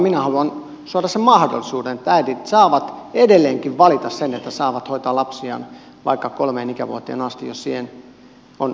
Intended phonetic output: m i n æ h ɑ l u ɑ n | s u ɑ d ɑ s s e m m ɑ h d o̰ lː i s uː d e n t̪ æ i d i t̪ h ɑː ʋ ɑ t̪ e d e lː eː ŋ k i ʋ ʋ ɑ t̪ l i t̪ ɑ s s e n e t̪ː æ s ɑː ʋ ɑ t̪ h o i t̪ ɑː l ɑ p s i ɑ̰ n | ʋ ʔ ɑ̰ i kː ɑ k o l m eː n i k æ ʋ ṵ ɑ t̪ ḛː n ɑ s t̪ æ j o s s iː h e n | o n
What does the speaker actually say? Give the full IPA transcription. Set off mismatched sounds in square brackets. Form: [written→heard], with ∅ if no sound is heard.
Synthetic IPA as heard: m i n æ h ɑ l u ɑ n | s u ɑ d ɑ s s e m m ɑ h d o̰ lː i s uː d e n t̪ æ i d i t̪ [h→s] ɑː ʋ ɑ t̪ e d e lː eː ŋ k i ʋ ʋ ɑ [t̪→∅] l i t̪ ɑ s s e n e t̪ː æ s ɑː ʋ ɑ t̪ h o i t̪ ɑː l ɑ p s i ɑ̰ n | ʋ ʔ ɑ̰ i kː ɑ k o l m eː n i k æ ʋ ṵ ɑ t̪ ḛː n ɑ s t̪ [æ→i] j o s s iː h e n | o n

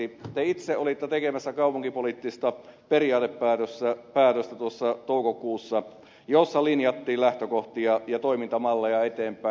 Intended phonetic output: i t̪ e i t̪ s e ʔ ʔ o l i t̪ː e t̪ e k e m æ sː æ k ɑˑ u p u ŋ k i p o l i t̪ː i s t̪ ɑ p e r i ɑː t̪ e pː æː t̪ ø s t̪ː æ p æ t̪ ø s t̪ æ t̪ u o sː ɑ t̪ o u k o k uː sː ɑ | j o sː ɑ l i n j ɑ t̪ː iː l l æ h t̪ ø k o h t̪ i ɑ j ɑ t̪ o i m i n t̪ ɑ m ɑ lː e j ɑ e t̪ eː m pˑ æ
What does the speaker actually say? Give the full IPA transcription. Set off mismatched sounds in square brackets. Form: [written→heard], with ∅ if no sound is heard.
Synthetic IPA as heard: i t̪ e i t̪ s e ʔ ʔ o l i t̪ː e t̪ e k e m æ sː æ k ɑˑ u p u ŋ k i p o l i t̪ː i s t̪ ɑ p e r i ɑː t̪ e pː æː t̪ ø s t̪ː æ p [æ→æː] t̪ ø s t̪ æ t̪ u o sː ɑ t̪ o u k o k uː sː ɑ | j o sː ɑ l i n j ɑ t̪ː iː l l æ h t̪ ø k o h t̪ i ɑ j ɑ t̪ o i m i n t̪ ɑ m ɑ lː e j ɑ e t̪ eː m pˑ æ

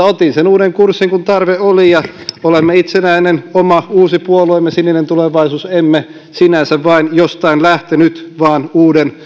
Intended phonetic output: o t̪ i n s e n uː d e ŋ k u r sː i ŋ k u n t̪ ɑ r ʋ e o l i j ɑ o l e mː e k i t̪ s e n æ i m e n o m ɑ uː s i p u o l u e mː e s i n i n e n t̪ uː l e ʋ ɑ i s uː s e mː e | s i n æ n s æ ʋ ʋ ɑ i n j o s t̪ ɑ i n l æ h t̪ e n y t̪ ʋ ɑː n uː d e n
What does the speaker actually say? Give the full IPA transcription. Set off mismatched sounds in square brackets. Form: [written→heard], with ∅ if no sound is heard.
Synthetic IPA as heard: o t̪ i n s e n uː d e ŋ k u r sː i ŋ k u n t̪ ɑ r ʋ e o l i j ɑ o l e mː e [k→∅] i t̪ s e n æ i [m→n] e n o m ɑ uː s i p u o l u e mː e s i n i n e n t̪ [uː→u] l e ʋ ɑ i s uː s e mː e | s i n æ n s æ ʋ ʋ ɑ i n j o s t̪ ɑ i n l æ h t̪ e n y t̪ ʋ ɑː n uː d e n

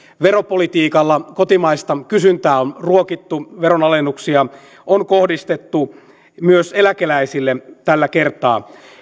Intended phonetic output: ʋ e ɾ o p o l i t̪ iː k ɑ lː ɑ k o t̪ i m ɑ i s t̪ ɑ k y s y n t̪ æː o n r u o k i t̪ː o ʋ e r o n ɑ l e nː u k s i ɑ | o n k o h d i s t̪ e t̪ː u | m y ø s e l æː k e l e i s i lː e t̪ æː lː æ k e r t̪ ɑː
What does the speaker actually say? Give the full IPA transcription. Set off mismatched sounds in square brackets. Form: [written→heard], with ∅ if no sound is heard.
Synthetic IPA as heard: ʋ e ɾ o p o l i t̪ iː k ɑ lː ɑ k o t̪ i m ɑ i s t̪ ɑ k y s y n t̪ æː o n r u o k i t̪ː [o→u] ʋ e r o n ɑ l e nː u k s i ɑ | o n k o h d i s t̪ e t̪ː u | m y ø s e l [æː→æ] k e l [e→æ] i s i lː e t̪ [æː→æ] lː æ k e r t̪ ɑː

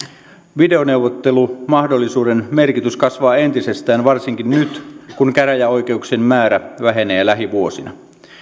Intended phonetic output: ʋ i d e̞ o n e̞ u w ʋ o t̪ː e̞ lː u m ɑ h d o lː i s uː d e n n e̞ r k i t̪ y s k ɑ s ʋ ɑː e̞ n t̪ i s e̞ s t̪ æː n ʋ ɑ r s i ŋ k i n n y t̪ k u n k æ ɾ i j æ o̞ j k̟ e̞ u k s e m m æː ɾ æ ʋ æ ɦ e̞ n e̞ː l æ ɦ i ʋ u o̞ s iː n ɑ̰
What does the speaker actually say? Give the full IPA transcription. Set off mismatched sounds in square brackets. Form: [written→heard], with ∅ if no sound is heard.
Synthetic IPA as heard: ʋ i d e̞ o n e̞ u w ʋ o t̪ː e̞ [lː→l] u m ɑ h d o lː i s uː d e n [n→m] e̞ r k i t̪ y s k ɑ s ʋ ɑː e̞ n t̪ i s e̞ s t̪ æː n ʋ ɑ r s i ŋ k i n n y t̪ k u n k æ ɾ [i→æ] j æ o̞ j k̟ e̞ u k s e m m æː ɾ æ ʋ æ ɦ e̞ n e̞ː l æ ɦ i ʋ u o̞ s [iː→i] n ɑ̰

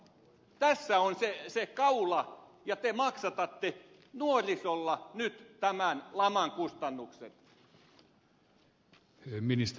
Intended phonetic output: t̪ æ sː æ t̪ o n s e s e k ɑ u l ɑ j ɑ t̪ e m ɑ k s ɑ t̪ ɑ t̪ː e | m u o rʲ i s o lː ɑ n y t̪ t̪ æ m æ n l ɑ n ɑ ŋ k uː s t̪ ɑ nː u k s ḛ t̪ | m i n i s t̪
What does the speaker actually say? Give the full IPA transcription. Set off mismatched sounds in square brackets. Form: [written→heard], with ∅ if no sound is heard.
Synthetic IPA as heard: t̪ æ sː æ [t̪→∅] o n s e s e k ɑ u l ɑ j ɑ t̪ e m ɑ k s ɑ t̪ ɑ t̪ː e | [m→n] u o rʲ i s o lː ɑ n y t̪ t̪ æ m æ n l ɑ [n→m] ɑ ŋ k [uː→u] s t̪ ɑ nː u k s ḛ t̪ | m i n i s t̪

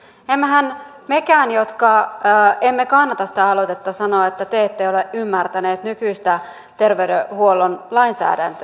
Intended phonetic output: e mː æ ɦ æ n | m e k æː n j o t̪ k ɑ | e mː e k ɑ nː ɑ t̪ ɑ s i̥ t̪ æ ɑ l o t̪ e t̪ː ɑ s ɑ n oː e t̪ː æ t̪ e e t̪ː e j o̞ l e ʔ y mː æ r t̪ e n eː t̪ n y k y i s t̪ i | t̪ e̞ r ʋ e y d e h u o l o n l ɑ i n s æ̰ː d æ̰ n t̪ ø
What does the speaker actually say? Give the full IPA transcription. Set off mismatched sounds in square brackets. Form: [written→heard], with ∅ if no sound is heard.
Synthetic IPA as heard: e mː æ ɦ æ n | m e k æː n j o t̪ k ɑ | e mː e k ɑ nː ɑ t̪ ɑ s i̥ t̪ æ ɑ l o t̪ e t̪ː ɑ s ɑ n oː e t̪ː æ t̪ e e t̪ː e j o̞ l e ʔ y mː æ r t̪ [e→æ] n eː t̪ n y k y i s t̪ [i→æ] | t̪ e̞ r ʋ e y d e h u o l o n l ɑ i n s æ̰ː d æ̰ n t̪ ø

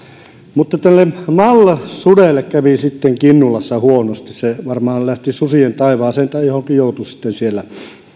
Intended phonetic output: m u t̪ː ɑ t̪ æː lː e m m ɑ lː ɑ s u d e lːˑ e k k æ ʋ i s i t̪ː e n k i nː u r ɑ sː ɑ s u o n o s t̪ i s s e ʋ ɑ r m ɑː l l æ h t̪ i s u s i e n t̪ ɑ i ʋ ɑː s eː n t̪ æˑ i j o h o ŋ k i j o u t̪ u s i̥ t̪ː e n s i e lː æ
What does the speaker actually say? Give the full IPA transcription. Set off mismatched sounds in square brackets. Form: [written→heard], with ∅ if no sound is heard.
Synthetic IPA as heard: m u t̪ː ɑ t̪ [æː→æ] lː e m m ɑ lː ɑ s u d e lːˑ e k k æ ʋ i s i t̪ː e [n→ŋ] k i nː u [r→l] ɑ sː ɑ [s→h] u o n o s t̪ i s s e ʋ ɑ r m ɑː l l æ h t̪ i s u s i e n t̪ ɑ i ʋ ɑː s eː n t̪ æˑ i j o h o ŋ k i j o u t̪ u s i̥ t̪ː e n s i e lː æ

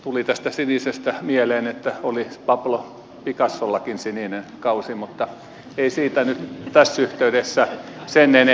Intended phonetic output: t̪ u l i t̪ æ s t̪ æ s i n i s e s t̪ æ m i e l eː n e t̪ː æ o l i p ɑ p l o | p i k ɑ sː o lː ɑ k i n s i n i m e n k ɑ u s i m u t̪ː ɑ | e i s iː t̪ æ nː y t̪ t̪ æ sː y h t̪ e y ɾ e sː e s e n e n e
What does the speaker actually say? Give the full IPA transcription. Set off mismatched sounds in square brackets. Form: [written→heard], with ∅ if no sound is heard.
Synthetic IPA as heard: t̪ u l i t̪ æ s t̪ æ s i n i s e s t̪ æ m i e l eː n e t̪ː æ o l i p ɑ p l o | p i k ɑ sː o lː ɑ k i n s i n i [m→n] e n k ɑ u s i m u t̪ː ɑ | e i s iː t̪ æ [nː→n] y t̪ t̪ æ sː y h t̪ e y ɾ e sː [e→æ] s e n e n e

